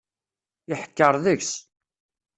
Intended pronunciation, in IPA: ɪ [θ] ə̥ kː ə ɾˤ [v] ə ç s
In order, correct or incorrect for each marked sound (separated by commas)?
incorrect, incorrect